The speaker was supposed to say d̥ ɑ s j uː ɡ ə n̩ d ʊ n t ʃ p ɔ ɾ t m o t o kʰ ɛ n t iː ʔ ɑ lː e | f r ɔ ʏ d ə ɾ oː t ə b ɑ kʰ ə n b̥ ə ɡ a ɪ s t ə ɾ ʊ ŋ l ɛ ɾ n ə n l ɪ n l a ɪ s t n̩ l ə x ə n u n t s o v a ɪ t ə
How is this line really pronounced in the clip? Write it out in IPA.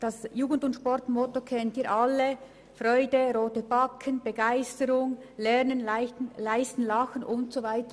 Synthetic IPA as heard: d̥ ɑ s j uː ɡ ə n̩ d ʊ n t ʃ p ɔ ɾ t m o t o kʰ ɛ n t iː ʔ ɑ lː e | f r ɔ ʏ d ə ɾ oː t ə b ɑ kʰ ə n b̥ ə ɡ a ɪ s t ə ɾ ʊ ŋ l ɛ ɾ n ə n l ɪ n l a ɪ s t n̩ l ɑ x ə n ʊ n t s o v a ɪ t ə